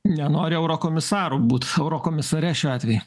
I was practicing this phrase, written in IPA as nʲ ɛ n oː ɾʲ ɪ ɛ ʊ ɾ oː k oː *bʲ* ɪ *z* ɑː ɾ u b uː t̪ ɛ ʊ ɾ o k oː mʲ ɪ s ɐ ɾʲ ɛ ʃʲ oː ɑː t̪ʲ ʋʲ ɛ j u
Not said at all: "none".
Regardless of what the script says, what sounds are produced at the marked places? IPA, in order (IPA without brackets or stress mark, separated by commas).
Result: mʲ, s